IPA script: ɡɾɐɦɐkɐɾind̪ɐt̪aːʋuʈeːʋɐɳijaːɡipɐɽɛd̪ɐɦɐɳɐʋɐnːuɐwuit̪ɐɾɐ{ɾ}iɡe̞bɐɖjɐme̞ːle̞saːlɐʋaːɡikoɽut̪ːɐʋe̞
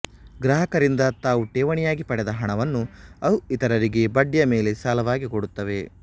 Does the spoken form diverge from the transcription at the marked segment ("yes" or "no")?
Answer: no